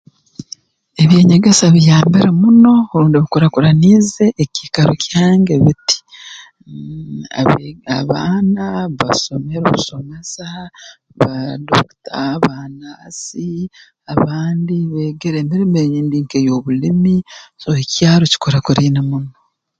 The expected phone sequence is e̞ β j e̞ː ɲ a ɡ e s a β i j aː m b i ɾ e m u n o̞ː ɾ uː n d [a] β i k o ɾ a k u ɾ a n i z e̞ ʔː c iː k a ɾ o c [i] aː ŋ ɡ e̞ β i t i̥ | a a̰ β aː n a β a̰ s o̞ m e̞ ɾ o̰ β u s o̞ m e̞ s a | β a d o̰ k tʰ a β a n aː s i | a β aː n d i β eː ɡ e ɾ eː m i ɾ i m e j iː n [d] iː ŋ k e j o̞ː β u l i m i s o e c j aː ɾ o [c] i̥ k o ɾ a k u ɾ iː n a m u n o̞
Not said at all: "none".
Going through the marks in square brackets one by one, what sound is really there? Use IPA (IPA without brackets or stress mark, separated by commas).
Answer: i, j, d, c